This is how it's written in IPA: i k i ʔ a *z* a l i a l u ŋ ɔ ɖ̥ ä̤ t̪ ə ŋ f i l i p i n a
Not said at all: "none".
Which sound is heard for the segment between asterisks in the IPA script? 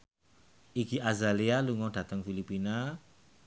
z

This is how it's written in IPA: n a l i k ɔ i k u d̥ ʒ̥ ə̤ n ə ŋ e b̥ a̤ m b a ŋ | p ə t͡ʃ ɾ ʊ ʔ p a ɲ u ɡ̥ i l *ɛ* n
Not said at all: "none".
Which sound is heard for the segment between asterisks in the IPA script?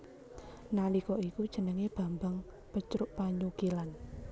a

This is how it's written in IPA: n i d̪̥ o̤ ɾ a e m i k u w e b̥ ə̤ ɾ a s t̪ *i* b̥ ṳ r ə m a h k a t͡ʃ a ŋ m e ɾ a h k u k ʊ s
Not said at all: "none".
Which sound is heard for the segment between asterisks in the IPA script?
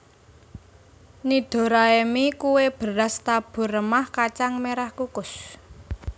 a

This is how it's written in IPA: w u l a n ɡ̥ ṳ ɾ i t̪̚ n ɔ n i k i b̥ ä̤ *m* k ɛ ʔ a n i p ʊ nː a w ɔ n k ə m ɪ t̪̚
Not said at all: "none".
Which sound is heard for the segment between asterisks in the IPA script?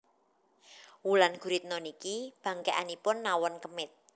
ŋ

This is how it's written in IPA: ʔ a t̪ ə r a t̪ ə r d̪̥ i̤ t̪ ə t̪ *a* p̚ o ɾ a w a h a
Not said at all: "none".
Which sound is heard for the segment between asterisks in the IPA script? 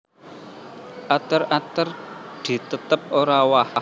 ə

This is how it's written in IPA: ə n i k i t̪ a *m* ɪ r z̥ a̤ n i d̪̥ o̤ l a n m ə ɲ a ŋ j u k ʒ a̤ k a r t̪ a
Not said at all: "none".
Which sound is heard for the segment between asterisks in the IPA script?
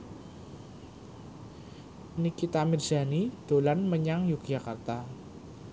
m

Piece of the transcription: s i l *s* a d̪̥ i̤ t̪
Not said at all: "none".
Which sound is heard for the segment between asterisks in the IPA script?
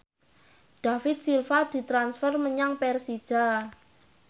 f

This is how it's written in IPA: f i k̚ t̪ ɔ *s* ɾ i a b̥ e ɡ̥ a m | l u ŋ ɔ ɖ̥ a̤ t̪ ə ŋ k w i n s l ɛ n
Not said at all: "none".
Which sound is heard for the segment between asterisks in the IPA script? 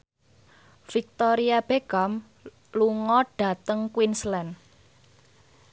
none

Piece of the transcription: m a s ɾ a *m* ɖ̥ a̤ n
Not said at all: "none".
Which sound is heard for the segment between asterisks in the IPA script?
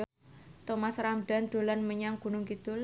m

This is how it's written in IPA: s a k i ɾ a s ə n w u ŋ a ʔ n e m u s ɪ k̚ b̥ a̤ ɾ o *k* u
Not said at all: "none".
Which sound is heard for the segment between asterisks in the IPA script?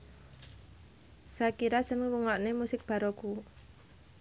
k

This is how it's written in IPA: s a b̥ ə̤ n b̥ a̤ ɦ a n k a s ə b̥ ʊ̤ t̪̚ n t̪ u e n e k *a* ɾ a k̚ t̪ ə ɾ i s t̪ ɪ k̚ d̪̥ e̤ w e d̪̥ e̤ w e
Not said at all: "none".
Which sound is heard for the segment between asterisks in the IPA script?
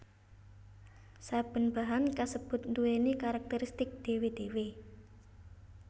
a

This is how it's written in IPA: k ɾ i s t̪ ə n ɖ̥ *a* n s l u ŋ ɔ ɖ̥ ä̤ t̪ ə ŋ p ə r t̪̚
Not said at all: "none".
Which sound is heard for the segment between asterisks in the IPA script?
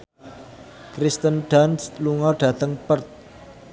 a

